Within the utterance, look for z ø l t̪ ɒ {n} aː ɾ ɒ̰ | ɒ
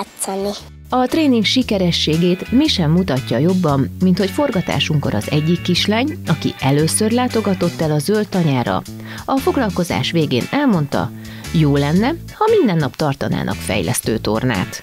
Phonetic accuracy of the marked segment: incorrect: ɲ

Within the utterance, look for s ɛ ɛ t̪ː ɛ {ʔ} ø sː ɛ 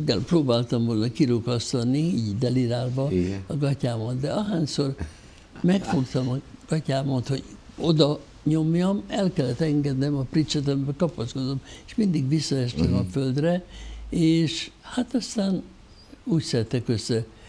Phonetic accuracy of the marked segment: incorrect: k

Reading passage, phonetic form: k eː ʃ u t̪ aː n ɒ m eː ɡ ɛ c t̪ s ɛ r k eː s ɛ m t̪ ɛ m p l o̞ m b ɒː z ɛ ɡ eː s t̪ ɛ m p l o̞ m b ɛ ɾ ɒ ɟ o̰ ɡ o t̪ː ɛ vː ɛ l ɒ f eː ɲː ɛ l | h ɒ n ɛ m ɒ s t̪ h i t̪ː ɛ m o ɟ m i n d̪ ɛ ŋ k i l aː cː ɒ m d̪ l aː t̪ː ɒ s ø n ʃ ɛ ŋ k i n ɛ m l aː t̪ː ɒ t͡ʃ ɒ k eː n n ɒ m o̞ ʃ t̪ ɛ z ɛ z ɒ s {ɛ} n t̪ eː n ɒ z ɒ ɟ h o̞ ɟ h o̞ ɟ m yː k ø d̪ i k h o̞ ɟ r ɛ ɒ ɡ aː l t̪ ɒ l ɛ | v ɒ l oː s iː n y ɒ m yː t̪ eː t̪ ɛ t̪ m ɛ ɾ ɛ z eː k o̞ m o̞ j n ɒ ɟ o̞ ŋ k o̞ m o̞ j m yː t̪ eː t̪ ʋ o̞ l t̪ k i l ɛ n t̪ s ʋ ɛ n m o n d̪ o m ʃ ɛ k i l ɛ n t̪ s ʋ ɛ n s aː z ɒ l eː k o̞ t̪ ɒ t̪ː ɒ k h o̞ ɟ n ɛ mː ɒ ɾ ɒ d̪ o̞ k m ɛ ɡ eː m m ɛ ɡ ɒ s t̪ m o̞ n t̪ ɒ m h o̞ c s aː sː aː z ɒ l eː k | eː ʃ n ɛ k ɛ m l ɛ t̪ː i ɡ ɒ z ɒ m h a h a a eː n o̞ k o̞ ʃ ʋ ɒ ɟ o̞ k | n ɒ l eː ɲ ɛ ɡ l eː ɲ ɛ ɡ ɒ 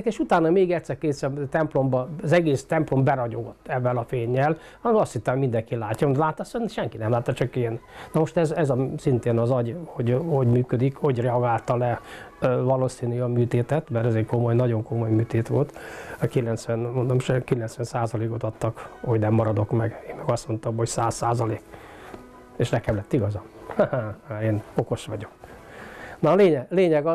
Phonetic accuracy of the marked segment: incorrect: i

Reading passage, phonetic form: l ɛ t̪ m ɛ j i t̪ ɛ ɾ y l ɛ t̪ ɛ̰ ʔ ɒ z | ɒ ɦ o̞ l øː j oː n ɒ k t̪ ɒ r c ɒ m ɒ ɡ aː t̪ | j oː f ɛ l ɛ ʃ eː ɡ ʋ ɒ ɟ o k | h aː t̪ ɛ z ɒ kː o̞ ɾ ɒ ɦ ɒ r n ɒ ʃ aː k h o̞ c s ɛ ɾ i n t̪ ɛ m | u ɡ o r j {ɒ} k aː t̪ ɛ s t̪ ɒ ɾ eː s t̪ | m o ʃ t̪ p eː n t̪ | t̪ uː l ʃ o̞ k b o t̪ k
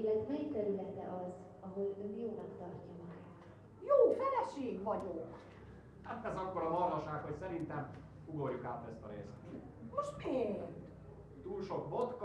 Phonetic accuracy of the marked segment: incorrect: u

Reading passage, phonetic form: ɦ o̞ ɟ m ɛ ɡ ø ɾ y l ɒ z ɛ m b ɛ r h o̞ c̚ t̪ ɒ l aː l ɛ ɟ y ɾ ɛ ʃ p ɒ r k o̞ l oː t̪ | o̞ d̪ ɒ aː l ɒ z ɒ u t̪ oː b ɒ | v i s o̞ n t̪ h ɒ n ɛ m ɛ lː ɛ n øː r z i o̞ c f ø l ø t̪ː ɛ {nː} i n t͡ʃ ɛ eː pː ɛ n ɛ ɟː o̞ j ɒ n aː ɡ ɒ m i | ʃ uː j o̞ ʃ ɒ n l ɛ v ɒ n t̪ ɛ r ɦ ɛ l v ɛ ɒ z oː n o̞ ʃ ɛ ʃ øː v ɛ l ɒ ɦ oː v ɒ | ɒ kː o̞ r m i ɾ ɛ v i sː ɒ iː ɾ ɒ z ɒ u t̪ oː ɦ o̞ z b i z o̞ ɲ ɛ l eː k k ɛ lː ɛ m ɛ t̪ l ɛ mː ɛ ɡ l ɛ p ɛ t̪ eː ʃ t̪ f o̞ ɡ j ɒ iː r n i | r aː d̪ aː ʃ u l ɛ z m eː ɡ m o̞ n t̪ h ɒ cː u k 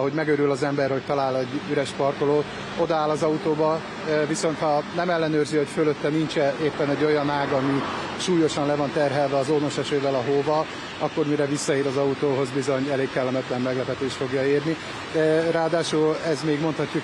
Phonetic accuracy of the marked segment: incorrect: n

